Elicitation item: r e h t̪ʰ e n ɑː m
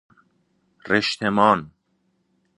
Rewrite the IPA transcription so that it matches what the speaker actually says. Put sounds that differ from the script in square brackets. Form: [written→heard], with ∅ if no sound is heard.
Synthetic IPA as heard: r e [h→ʃ] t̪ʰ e [n→m] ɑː [m→n]